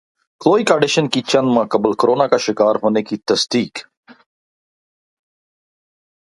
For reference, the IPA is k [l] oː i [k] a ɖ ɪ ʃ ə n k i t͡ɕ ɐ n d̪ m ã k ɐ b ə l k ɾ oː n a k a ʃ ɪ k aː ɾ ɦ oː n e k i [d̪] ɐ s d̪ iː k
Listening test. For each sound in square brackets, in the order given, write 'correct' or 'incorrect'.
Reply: correct, correct, incorrect: t̪

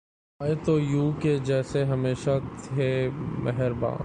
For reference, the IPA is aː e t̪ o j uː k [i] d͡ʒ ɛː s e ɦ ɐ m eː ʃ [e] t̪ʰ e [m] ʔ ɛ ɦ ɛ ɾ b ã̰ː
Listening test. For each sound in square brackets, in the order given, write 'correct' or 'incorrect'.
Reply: incorrect: e, incorrect: a, correct

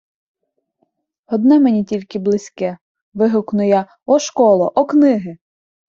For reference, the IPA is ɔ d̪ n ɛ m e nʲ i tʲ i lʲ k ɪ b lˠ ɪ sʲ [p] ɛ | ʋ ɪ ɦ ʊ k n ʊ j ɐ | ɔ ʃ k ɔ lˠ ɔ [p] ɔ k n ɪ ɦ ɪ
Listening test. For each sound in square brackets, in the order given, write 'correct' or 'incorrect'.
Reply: incorrect: k, incorrect: ʔ

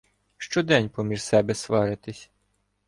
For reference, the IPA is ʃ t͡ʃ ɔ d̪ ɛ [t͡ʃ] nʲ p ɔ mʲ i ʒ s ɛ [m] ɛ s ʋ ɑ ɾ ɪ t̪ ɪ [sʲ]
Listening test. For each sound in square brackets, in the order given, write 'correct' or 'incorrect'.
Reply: incorrect: none, incorrect: b, correct

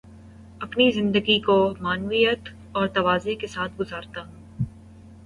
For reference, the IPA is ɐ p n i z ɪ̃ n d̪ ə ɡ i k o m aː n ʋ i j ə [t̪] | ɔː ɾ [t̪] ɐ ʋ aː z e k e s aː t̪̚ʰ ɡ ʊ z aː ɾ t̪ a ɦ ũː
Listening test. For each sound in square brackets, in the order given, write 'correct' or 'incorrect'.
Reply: correct, correct

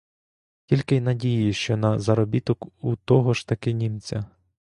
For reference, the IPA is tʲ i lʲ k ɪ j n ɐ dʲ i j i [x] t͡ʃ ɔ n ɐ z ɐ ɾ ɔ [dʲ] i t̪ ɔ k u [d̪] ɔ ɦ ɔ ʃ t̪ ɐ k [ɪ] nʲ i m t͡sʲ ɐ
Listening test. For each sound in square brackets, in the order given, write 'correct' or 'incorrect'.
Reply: incorrect: ʃ, incorrect: bʲ, incorrect: t̪, correct

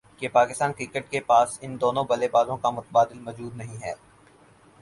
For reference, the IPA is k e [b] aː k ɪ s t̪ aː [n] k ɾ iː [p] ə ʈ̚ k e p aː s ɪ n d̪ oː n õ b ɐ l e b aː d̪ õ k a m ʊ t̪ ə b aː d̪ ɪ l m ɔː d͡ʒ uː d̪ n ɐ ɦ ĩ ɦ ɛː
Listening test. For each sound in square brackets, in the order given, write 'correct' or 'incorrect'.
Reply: incorrect: p, correct, incorrect: k

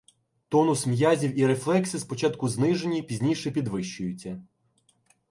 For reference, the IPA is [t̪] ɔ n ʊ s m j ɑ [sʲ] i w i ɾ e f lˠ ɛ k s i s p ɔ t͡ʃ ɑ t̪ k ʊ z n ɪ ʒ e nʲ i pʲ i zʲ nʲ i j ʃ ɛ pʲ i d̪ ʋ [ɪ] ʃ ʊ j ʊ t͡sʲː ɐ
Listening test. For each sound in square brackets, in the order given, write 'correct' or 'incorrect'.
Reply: correct, incorrect: zʲ, correct

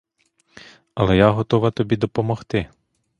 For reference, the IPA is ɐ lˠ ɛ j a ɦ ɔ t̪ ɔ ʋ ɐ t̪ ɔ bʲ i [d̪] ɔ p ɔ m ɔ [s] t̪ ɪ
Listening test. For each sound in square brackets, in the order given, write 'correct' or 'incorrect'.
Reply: correct, incorrect: x

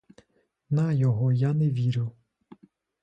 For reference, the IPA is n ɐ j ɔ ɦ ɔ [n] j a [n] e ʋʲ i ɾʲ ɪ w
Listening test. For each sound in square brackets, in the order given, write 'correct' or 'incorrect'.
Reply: incorrect: none, correct

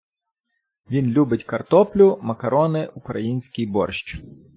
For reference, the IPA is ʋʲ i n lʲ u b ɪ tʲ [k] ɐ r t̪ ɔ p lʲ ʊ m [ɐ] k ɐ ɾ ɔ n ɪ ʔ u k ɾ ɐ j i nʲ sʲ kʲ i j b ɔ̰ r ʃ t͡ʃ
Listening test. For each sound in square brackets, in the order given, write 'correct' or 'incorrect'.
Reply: correct, correct

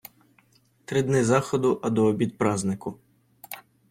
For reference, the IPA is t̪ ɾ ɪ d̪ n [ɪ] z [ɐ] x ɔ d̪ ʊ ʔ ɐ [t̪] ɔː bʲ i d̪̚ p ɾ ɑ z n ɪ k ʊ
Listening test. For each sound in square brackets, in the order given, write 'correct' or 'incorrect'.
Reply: correct, incorrect: ɑ, incorrect: d̪

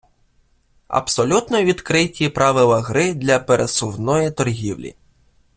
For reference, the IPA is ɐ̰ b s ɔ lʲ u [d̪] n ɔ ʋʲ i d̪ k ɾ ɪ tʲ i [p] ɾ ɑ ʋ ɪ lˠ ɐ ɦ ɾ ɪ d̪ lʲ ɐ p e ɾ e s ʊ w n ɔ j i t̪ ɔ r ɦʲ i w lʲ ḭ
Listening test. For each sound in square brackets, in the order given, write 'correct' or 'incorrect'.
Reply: incorrect: t̪, correct

